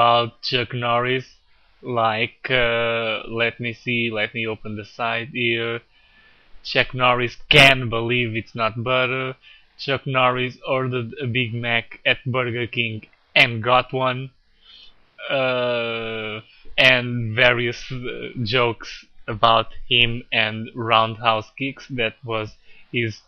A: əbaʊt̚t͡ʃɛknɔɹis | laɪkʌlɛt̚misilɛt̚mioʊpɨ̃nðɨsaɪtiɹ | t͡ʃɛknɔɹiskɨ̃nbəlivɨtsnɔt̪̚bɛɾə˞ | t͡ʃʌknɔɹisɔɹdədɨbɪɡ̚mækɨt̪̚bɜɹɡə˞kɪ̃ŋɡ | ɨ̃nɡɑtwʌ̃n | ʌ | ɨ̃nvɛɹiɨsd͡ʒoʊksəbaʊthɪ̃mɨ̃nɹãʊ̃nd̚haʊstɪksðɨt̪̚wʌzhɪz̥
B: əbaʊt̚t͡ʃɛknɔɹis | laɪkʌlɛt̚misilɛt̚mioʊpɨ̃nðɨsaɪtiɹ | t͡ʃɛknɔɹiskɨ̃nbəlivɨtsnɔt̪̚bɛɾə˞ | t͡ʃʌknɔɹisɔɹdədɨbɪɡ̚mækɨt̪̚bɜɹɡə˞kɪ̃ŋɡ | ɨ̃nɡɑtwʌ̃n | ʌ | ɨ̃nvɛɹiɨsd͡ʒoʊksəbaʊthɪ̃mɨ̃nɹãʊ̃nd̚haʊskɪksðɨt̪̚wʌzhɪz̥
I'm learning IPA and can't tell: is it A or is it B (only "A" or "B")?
B